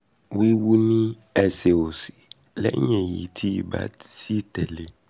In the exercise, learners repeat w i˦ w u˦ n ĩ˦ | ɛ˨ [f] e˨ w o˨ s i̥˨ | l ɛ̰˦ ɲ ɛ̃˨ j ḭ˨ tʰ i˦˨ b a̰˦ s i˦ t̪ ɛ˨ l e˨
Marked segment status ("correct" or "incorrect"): incorrect